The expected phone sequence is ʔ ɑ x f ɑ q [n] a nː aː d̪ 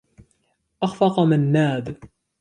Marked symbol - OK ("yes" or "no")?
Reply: no